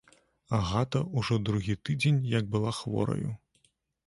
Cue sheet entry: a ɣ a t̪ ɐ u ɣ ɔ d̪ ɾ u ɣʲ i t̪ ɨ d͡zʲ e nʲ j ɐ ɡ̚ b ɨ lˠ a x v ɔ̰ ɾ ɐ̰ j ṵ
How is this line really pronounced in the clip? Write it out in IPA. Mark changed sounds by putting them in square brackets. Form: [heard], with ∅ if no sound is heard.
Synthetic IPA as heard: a ɣ a t̪ ɐ u [ʐ] ɔ d̪ ɾ u ɣʲ i t̪ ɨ d͡zʲ e nʲ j ɐ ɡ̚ b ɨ lˠ a x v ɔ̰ ɾ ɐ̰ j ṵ

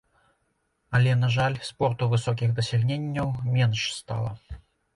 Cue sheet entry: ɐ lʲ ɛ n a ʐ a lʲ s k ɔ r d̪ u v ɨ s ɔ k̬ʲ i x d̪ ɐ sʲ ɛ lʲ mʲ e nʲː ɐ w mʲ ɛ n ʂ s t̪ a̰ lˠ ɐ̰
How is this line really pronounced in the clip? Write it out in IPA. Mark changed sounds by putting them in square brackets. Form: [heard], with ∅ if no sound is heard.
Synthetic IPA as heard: ɐ lʲ ɛ n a ʐ a lʲ s [p] ɔ r [t̪] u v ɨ s ɔ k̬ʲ i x d̪ ɐ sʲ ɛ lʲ [nʲ] e nʲː ɐ w mʲ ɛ n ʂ s t̪ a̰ lˠ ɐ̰

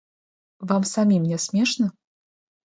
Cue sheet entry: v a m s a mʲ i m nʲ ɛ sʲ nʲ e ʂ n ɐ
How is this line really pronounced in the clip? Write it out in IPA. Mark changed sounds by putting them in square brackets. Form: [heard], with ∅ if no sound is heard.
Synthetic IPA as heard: v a m s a mʲ i m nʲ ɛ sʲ [mʲ] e ʂ n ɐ

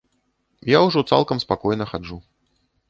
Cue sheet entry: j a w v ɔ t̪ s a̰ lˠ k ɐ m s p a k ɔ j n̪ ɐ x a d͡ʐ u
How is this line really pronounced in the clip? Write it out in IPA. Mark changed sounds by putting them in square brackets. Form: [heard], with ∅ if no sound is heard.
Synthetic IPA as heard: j a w [ʐ] ɔ t̪ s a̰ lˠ k ɐ m s p a k ɔ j n̪ ɐ x a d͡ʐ u

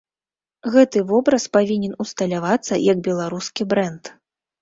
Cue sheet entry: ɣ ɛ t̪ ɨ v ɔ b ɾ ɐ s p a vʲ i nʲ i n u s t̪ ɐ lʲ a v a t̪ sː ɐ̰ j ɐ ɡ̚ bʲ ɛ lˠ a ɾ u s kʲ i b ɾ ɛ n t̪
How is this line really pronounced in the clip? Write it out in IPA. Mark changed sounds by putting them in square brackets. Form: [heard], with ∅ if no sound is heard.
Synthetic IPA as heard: ɣ ɛ t̪ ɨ v ɔ b ɾ ɐ s p a vʲ i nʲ [ɛ] n u s t̪ ɐ lʲ a v a t̪ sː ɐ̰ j ɐ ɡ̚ bʲ ɛ lˠ a ɾ u s kʲ i b ɾ ɛ n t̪

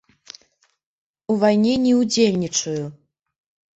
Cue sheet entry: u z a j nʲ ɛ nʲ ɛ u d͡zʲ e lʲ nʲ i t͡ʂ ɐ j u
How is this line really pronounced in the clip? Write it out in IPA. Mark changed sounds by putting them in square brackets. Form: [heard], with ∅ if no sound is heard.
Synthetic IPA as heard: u [v] a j nʲ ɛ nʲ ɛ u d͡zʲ e lʲ nʲ i t͡ʂ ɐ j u

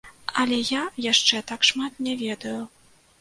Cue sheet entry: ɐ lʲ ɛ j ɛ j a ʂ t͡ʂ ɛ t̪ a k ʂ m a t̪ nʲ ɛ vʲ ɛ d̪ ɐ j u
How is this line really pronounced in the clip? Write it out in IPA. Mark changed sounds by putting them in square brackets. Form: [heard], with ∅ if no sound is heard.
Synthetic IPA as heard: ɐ lʲ ɛ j [a] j a ʂ t͡ʂ ɛ t̪ a k ʂ m a t̪ nʲ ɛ vʲ ɛ d̪ ɐ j u

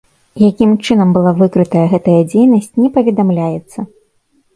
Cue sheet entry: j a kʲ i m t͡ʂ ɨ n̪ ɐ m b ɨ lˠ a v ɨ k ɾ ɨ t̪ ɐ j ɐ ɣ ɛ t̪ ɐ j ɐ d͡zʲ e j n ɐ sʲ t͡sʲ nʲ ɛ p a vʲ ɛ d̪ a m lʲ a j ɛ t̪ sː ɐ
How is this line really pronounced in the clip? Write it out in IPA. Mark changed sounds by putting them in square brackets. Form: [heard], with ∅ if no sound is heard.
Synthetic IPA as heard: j a kʲ i m t͡ʂ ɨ n̪ ɐ m b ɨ lˠ a v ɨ k ɾ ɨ t̪ ɐ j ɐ ɣ ɛ t̪ ɐ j ɐ d͡zʲ e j n ɐ sʲ t͡sʲ nʲ ɛ p [ɐ] vʲ ɛ d̪ a m lʲ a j ɛ t̪ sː ɐ

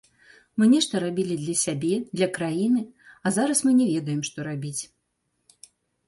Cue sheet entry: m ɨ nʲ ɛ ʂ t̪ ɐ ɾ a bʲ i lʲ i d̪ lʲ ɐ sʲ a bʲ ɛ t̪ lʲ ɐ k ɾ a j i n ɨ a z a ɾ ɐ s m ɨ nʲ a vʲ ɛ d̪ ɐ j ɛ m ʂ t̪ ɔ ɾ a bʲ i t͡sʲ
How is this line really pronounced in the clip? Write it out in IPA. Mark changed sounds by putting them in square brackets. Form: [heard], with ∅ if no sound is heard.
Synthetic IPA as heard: m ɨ nʲ ɛ ʂ t̪ ɐ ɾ a bʲ i lʲ i d̪ lʲ ɐ sʲ a bʲ ɛ [d̪] lʲ ɐ k ɾ a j i n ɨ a z a ɾ ɐ s m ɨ nʲ [ɛ] vʲ ɛ d̪ ɐ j ɛ m ʂ t̪ ɔ ɾ a bʲ i t͡sʲ

